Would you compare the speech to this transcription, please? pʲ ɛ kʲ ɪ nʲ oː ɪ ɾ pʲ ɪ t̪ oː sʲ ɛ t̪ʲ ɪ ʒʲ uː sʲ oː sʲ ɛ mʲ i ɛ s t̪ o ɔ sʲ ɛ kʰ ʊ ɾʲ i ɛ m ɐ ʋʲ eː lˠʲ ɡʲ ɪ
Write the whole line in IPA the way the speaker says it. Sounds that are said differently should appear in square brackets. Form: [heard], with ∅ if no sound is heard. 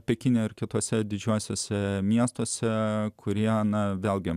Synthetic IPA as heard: pʲ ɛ kʲ ɪ nʲ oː ɪ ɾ [kʲ] ɪ t̪ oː sʲ ɛ [d̪ʲ] ɪ [d͡ʒʲ] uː sʲ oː sʲ ɛ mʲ i ɛ s t̪ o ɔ sʲ ɛ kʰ ʊ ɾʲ i ɛ [n] ɐ ʋʲ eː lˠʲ ɡʲ ɪ